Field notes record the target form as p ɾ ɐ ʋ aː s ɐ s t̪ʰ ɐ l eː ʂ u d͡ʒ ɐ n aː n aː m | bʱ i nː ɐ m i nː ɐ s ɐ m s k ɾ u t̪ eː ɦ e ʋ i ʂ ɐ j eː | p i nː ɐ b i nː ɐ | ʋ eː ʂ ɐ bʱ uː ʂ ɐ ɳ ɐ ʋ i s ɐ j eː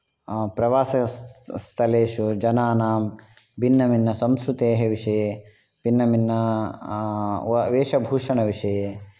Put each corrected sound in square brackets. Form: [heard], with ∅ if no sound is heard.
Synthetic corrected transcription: p ɾ ɐ ʋ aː s ɐ s t̪ʰ ɐ l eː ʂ u d͡ʒ ɐ n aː n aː m | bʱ i nː ɐ m i nː ɐ s ɐ m s k ɾ u t̪ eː ɦ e ʋ i ʂ ɐ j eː | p i nː ɐ [m] i nː ɐ | ʋ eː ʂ ɐ bʱ uː ʂ ɐ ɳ ɐ ʋ i [ʂ] ɐ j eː